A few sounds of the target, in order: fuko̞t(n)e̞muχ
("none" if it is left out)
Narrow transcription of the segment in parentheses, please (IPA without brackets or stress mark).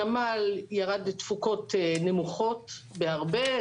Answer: n